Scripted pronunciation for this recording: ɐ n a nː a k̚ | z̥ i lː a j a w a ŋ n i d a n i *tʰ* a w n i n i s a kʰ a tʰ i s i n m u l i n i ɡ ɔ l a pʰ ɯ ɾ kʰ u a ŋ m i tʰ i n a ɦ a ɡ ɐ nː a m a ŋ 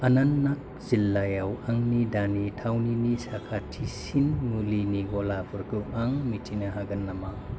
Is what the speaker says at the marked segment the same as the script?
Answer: yes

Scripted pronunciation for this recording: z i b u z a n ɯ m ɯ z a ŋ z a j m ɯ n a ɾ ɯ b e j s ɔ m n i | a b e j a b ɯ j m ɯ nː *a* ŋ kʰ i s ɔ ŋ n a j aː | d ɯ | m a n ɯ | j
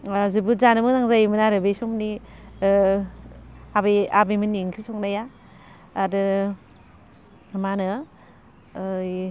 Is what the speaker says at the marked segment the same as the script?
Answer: no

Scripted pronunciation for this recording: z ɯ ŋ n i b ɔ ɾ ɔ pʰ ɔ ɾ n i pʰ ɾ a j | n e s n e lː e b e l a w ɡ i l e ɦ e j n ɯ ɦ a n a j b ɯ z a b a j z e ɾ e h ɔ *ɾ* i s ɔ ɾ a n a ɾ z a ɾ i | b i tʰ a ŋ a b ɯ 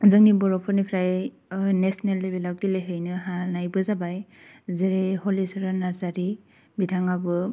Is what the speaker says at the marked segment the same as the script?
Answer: no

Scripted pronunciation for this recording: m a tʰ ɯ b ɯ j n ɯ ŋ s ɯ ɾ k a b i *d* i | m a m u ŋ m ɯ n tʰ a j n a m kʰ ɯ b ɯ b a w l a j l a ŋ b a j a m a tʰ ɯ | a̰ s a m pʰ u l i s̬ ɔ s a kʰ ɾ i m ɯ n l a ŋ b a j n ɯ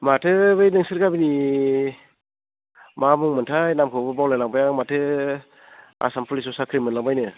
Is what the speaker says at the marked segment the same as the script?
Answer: no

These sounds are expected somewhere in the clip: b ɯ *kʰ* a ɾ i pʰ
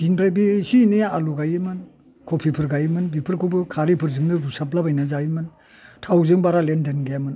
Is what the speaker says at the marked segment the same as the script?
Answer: yes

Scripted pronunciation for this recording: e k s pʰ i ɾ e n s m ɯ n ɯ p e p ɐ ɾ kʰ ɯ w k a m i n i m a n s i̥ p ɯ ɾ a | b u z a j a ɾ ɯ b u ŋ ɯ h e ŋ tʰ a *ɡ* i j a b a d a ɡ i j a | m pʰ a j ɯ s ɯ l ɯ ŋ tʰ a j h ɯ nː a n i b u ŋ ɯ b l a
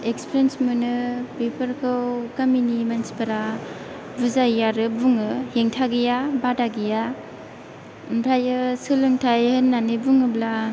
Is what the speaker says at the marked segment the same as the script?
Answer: yes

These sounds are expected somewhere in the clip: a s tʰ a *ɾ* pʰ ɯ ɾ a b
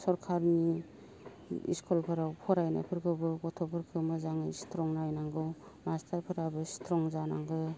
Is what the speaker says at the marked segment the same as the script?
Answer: yes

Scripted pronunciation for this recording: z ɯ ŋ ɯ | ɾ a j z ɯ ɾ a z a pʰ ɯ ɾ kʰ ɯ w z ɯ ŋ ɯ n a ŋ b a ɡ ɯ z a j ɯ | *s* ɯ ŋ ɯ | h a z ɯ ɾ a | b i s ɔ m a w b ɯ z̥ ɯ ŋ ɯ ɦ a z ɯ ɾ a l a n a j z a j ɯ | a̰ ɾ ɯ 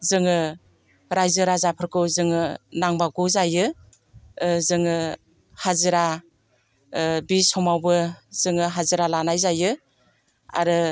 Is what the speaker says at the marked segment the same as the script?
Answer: no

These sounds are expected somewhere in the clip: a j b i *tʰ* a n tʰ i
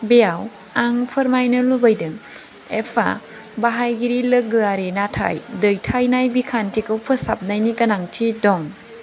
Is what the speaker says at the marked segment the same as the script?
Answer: no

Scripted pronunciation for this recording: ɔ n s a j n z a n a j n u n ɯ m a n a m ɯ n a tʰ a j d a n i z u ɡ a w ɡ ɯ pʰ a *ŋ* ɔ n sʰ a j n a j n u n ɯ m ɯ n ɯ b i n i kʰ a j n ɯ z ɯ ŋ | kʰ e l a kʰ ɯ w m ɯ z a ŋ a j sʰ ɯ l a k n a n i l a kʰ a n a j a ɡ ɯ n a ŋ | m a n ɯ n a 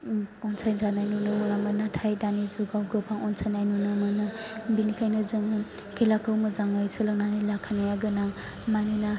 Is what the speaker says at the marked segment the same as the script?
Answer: yes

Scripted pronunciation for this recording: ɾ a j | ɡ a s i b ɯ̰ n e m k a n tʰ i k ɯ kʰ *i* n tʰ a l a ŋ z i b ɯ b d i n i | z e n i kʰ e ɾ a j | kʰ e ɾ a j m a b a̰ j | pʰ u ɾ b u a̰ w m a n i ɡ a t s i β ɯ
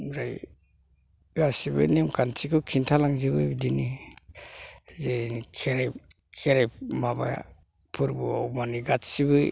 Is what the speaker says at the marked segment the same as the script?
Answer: yes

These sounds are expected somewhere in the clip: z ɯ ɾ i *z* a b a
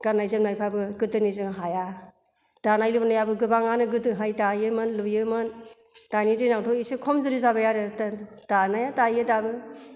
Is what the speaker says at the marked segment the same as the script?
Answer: yes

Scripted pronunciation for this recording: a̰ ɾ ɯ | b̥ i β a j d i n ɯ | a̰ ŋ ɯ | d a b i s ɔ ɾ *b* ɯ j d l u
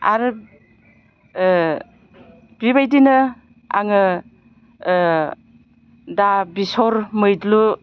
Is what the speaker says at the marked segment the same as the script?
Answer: no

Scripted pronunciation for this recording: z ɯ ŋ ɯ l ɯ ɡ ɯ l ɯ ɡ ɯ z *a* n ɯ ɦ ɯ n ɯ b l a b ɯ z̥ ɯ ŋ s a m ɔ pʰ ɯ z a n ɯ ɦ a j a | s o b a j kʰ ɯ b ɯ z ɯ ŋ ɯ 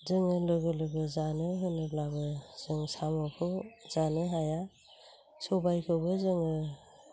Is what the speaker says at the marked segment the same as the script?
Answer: yes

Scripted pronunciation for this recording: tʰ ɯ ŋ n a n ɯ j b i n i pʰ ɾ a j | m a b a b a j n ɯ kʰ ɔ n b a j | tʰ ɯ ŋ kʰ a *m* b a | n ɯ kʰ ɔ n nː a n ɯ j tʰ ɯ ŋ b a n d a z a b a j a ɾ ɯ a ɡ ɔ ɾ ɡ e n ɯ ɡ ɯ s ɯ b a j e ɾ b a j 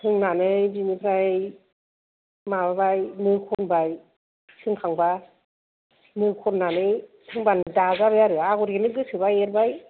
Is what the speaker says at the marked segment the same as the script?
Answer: no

